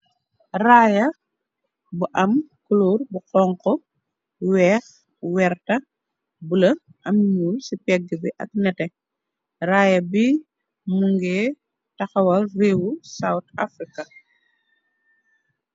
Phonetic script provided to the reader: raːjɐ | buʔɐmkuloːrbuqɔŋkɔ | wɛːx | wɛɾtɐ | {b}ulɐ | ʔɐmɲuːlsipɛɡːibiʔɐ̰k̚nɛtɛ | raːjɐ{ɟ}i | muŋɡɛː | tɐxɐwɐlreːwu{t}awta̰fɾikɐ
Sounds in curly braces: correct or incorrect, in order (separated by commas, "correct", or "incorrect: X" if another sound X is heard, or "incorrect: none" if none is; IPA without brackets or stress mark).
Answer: correct, incorrect: b, incorrect: s